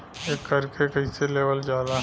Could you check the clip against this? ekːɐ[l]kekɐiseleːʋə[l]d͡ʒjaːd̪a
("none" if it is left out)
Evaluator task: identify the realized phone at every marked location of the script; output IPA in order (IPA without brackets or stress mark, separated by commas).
ɾ, l